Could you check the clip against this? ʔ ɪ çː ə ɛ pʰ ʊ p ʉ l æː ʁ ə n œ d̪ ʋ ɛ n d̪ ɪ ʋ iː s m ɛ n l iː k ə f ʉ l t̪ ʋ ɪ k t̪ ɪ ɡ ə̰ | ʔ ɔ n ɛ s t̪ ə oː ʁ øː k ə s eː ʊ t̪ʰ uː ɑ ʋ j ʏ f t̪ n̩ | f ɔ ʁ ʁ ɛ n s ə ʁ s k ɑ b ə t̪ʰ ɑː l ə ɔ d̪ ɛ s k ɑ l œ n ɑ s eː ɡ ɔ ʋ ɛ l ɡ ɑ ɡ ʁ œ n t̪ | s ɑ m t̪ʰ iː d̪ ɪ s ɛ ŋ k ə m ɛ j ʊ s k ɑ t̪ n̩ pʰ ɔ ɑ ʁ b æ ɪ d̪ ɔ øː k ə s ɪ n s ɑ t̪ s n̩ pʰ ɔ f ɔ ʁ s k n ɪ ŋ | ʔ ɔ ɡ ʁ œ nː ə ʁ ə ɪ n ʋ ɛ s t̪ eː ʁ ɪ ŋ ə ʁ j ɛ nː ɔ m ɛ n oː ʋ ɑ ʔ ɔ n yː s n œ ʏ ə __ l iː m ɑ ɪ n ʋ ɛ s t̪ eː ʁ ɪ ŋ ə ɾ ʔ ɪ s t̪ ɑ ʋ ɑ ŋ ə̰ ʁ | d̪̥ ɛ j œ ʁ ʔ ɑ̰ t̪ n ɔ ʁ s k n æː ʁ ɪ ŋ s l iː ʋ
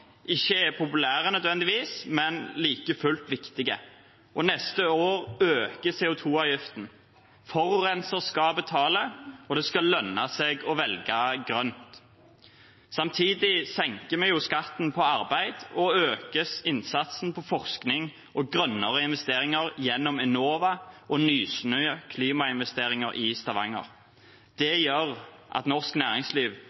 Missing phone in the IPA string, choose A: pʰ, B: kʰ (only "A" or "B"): B